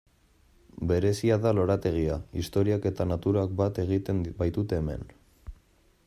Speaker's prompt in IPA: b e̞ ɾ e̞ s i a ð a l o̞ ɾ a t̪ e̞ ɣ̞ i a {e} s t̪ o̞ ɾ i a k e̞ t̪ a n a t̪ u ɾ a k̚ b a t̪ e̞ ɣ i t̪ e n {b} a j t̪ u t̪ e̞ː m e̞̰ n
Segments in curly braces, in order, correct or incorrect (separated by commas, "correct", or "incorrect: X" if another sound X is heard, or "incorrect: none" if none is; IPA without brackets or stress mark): incorrect: i, correct